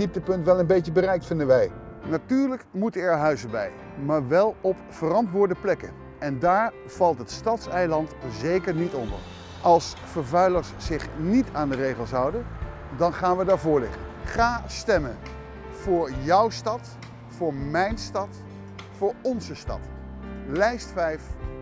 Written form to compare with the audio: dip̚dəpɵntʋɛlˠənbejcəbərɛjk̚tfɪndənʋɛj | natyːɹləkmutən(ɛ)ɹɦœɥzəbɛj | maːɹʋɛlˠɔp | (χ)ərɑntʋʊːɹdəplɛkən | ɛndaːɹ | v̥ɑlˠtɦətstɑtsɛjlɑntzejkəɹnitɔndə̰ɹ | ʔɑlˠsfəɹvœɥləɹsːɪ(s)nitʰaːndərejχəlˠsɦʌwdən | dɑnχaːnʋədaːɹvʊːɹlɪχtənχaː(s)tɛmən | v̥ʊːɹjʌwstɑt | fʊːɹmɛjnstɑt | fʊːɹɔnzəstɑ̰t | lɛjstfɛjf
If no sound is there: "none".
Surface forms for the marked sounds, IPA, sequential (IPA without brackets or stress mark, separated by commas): ɛ, f, χ, s